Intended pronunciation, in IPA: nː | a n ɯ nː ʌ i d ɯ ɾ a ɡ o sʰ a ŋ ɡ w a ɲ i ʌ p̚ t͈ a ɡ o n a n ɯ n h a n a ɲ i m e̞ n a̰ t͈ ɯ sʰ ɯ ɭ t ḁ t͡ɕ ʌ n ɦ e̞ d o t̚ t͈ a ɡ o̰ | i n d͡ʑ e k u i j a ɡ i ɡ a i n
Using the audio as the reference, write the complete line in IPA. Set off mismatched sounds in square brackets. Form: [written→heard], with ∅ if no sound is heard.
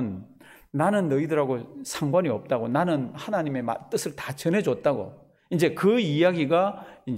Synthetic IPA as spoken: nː | a n ɯ nː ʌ i d ɯ ɾ a ɡ o sʰ a ŋ ɡ w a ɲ i ʌ p̚ t͈ a ɡ o n a n ɯ n h a n a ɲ i m e̞ [n→m] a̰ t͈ ɯ sʰ ɯ ɭ t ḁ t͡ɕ ʌ n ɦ e̞ [d→d͡ʑ] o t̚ t͈ a ɡ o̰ | i n d͡ʑ e k [u→ɯ] i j a ɡ i ɡ a i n